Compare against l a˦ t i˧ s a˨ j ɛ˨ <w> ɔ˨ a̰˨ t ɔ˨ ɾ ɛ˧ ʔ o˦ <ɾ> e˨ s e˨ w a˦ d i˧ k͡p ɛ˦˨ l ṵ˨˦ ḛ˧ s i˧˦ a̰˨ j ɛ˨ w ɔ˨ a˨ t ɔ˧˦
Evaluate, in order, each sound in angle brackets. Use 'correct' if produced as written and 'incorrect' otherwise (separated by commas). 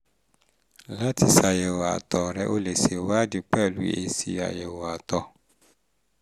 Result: correct, incorrect